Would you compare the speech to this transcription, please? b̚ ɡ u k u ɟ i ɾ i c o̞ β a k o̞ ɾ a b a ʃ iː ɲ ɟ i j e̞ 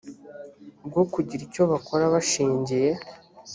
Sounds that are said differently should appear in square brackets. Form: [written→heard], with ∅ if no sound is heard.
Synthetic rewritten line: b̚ ɡ [u→o] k u ɟ i ɾ i c o̞ β a k o̞ ɾ a [b→β] a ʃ iː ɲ ɟ i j e̞